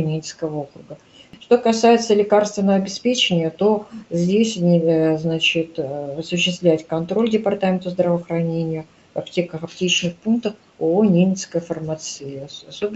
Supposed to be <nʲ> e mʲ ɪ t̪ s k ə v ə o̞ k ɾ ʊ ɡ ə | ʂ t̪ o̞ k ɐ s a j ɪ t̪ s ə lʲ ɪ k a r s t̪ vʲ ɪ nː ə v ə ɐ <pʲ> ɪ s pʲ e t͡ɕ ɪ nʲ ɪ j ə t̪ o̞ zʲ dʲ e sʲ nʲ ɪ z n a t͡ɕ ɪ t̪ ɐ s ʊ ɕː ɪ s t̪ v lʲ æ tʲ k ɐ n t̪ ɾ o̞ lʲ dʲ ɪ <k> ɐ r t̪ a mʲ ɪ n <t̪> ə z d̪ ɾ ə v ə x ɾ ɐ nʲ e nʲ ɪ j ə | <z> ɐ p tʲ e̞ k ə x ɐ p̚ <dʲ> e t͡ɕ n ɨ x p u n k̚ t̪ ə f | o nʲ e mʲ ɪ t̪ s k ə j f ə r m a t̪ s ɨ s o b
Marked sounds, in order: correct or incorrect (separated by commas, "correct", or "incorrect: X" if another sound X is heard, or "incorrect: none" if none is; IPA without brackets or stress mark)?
correct, incorrect: bʲ, incorrect: p, correct, incorrect: v, incorrect: tʲ